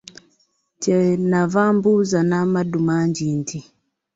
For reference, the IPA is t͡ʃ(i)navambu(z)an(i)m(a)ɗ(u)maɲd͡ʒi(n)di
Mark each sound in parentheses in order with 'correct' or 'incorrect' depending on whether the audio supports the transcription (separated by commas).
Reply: incorrect, correct, incorrect, correct, correct, correct